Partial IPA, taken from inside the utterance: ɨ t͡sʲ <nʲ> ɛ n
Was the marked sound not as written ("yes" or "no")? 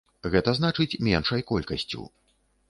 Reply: yes